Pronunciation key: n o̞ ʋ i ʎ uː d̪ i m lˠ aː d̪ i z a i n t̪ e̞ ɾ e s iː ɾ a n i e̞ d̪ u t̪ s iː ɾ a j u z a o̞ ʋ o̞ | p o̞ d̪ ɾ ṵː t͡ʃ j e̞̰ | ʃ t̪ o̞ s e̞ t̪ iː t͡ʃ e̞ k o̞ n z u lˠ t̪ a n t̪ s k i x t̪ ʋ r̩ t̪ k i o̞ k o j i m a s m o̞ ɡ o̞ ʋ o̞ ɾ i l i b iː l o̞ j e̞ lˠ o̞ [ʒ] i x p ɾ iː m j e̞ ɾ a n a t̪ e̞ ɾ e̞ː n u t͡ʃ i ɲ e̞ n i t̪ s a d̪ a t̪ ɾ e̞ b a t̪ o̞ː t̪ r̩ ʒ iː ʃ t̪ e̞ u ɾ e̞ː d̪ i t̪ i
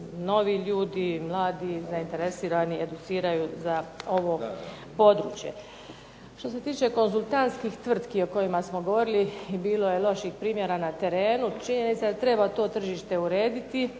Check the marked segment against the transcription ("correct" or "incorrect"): incorrect